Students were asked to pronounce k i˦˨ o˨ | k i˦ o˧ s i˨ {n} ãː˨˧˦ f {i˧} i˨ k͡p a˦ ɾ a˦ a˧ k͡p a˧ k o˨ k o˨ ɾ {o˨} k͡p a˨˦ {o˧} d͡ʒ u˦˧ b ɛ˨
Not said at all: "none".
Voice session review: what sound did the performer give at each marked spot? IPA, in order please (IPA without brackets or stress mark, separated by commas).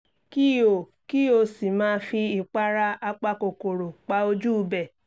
m, i˧, o˨, o˧